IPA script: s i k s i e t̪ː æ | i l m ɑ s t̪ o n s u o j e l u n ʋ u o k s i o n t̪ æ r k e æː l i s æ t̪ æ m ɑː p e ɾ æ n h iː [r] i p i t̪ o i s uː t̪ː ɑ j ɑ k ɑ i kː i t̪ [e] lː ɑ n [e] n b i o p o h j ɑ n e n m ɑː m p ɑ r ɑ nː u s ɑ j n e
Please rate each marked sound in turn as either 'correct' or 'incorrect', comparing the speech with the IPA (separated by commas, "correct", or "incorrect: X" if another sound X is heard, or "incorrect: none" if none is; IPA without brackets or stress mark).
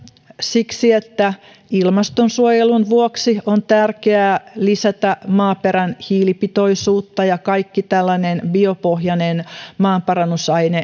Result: incorrect: l, incorrect: æ, correct